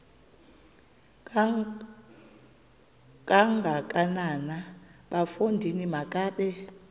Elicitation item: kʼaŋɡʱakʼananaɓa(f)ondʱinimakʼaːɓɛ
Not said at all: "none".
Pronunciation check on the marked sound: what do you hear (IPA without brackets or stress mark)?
f